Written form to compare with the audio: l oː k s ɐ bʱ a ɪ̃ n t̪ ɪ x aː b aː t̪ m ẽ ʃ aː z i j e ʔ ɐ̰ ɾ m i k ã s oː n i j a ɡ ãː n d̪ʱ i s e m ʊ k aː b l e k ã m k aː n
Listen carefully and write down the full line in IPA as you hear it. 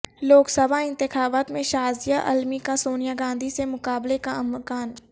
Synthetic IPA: l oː k s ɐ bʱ a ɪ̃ n t̪ ɪ x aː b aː t̪ m ẽ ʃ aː z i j a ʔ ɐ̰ l m i k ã s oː n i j a ɡ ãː n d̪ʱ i s e m ʊ k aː b l e k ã m k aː n

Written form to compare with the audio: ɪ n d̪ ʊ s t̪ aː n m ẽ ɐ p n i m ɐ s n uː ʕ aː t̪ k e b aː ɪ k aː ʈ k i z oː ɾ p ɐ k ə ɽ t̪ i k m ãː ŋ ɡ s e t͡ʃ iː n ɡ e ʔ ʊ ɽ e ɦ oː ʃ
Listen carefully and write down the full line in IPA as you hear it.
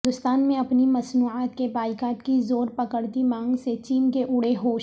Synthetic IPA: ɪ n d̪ ʊ s t̪ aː n m ẽ ɐ p n i m ɐ s n uː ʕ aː t̪ k e b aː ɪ k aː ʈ k i z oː ɾ p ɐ k ə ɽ t̪ i m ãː ŋ ɡ s e t͡ʃ iː n k e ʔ ʊ ɽ e ɦ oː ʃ

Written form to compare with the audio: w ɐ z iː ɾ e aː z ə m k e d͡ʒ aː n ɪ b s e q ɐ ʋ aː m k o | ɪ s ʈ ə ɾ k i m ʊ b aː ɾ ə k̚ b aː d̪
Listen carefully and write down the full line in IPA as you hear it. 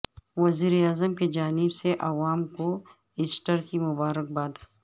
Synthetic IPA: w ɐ z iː ɾ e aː z ə m k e d͡ʒ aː n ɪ b s e ʔ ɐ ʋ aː m k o | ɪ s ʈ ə ɾ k i m ʊ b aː ɾ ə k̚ b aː d̪

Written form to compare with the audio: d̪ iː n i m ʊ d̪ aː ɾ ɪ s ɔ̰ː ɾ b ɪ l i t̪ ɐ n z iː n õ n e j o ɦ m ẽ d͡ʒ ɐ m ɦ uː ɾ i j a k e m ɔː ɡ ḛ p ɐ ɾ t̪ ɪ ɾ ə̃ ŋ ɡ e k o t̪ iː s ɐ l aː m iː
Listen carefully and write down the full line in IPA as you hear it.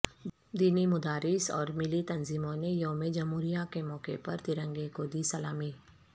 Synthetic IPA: d̪ iː n i m ʊ d̪ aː ɾ ɪ s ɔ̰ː ɾ m ɪ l i t̪ ɐ n z iː m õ n e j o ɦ m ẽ d͡ʒ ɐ m ɦ uː ɾ i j a k e m ɔː k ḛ p ɐ ɾ t̪ ɪ ɾ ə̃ ŋ ɡ e k o d̪ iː s ɐ l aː m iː

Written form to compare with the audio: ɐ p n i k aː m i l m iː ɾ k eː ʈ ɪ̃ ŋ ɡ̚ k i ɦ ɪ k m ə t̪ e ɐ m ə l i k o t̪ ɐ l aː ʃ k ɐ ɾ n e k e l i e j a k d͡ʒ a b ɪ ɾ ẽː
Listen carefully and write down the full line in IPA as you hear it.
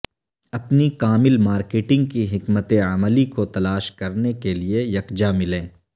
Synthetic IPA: ɐ p n i k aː m ɪ l m aː ɾ k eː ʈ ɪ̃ ŋ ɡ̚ k i ɦ ɪ k m ə t̪ e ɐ m ə l i k o t̪ ɐ l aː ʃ k ɐ ɾ n e k e l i e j ɐ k d͡ʒ a m ɪ l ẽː

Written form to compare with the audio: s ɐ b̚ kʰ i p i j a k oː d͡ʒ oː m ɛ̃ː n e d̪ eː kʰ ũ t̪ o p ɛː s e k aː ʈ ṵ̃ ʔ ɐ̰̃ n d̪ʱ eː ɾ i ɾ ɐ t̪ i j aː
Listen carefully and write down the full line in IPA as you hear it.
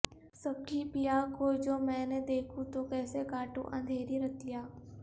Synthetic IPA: s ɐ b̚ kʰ i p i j a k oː d͡ʒ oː m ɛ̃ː n e d̪ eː kʰ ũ t̪ o k ɛː s e k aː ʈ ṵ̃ ʔ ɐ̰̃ n d̪ʱ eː ɾ i ɾ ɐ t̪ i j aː

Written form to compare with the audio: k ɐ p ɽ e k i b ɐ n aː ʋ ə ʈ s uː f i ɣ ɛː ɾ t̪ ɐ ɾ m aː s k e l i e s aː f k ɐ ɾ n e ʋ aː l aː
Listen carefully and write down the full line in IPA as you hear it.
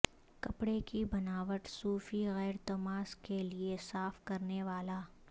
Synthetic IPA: k ɐ p ɽ e k i b ɐ n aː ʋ ə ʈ s uː f i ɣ ɛː ɾ t̪ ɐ m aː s k e l i e s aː f k ɐ ɾ n e ʋ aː l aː

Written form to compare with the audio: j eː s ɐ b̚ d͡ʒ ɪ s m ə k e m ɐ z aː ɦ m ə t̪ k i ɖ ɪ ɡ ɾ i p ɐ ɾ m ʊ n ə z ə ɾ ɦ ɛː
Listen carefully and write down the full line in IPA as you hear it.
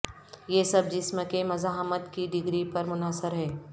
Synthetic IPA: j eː s ɐ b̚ d͡ʒ ɪ s m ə k e m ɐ z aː ɦ m ə t̪ k i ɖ ɪ ɡ ɾ i p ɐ ɾ m ʊ n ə s ə ɾ ɦ ɛː

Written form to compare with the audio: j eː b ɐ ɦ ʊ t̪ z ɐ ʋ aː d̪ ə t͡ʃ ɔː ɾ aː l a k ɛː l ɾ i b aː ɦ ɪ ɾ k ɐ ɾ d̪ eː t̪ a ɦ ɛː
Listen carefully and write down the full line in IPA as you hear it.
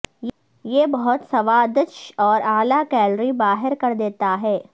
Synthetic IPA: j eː b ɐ ɦ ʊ t̪ s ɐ ʋ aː d̪ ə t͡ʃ ɔː ɾ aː l a k ɛː l ɾ i b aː ɦ ɪ ɾ k ɐ ɾ d̪ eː t̪ a ɦ ɛː

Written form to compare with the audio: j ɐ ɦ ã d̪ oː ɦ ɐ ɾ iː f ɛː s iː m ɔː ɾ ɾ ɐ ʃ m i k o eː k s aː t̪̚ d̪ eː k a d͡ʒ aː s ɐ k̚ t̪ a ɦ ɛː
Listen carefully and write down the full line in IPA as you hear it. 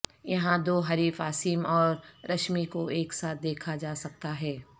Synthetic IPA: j ɐ ɦ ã d̪ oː ɦ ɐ ɾ iː f aː s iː m ɔː ɾ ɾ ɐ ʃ m i k o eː k s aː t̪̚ d̪ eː kʰ a d͡ʒ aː s ɐ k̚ t̪ a ɦ ɛː

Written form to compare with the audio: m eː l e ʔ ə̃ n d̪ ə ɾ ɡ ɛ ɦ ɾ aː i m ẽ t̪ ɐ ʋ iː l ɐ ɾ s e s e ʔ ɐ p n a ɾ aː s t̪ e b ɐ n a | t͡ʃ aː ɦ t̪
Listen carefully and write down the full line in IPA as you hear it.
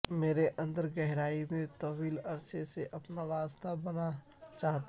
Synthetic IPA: m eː ɾ e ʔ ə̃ n d̪ ə ɾ ɡ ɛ ɦ ɾ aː i m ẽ t̪ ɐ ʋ iː l ɐ ɾ s e s e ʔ ɐ p n a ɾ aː s t̪ a b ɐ n a | t͡ʃ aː ɦ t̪

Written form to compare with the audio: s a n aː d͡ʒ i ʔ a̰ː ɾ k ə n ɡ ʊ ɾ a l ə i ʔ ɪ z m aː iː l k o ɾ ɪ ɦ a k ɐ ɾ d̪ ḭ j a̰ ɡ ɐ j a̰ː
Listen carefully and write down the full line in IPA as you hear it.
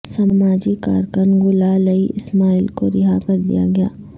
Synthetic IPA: s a m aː d͡ʒ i k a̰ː ɾ k ə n ɡ ʊ l a l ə i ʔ ɪ s m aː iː l k o ɾ ɪ ɦ a k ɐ ɾ d̪ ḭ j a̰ ɡ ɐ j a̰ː

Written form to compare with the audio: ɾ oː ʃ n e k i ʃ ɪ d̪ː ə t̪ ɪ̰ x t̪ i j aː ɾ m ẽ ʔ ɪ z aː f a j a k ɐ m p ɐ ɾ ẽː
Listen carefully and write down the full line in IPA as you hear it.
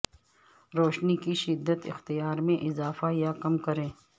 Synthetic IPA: ɾ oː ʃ n i k i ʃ ɪ d̪ː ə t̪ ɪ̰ x t̪ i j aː ɾ m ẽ ʔ ɪ z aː f a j a k ɐ m k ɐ ɾ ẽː

